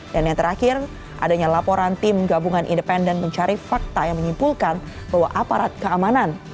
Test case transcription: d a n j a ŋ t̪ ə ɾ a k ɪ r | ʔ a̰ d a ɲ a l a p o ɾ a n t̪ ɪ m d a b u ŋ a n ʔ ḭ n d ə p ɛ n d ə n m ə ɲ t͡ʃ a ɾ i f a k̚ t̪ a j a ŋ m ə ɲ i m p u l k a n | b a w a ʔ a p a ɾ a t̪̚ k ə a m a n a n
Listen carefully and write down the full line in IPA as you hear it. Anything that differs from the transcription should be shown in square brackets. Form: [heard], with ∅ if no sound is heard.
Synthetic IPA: d a n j a ŋ t̪ ə ɾ a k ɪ r | ʔ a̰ d a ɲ a l a p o ɾ a n t̪ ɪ m [ɡ] a b u ŋ a n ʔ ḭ n d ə p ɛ n d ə n m ə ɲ t͡ʃ a ɾ i f a k̚ t̪ a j a ŋ m ə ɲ i m p u l k a n | b a w a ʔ a p a ɾ a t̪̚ k ə a m a n a n